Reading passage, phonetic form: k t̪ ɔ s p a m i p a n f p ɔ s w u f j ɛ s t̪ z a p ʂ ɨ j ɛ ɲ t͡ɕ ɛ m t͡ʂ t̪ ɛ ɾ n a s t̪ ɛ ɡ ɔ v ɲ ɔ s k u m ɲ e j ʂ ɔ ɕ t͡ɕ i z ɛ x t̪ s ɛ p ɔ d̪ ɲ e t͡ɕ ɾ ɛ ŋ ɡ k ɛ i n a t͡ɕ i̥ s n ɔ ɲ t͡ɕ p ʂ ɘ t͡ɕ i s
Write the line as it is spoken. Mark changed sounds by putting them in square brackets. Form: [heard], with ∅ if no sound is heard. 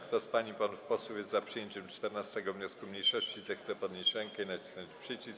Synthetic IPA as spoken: k t̪ ɔ s p a [ɲ] i p a n f p ɔ s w u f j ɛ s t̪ z a p ʂ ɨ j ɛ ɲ t͡ɕ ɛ m t͡ʂ t̪ ɛ ɾ n a s t̪ ɛ ɡ ɔ v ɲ ɔ s k u m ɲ e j ʂ ɔ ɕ t͡ɕ i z ɛ x t̪ s ɛ p ɔ d̪ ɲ e t͡ɕ ɾ ɛ ŋ [k] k ɛ i n a t͡ɕ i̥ s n ɔ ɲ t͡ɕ p ʂ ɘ t͡ɕ i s